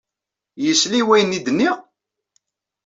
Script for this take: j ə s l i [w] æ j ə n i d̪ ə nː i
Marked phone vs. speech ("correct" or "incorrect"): correct